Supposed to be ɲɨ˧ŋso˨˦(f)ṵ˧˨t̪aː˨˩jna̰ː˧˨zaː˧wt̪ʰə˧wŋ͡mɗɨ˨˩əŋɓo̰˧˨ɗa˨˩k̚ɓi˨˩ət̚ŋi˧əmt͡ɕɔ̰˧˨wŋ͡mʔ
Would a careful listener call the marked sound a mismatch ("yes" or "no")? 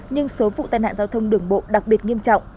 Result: yes